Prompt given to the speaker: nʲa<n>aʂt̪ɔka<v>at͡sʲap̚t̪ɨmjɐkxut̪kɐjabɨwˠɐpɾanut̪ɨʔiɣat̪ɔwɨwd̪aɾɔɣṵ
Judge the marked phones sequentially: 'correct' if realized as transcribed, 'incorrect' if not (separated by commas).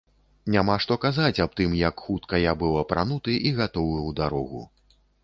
incorrect, incorrect